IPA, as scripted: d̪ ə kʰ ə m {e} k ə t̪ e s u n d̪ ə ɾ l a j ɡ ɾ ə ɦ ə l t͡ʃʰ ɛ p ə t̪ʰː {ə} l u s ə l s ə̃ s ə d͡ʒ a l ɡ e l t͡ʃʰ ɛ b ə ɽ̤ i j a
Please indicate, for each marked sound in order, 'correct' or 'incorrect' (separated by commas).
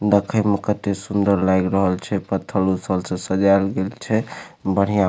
correct, correct